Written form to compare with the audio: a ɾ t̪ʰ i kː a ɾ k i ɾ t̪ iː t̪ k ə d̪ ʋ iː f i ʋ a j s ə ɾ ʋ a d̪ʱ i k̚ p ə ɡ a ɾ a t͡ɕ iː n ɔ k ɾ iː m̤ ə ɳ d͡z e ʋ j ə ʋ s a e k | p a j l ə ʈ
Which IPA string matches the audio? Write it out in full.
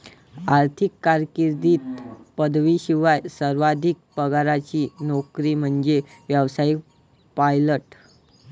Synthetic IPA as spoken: a ɾ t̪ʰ i kː a ɾ k i ɾ d̪ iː t̪ p ə d̪ ʋ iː ɕ i ʋ a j s ə ɾ ʋ a d̪ʱ i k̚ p ə ɡ a ɾ a t͡ɕ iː n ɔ k ɾ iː m̤ ə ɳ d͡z e ʋ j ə ʋ s a i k | p a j l ə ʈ